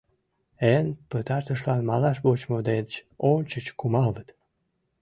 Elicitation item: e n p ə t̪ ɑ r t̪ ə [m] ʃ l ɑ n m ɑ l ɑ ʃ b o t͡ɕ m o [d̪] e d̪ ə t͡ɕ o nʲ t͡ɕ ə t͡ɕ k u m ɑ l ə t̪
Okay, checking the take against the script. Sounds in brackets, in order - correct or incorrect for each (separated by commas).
incorrect, correct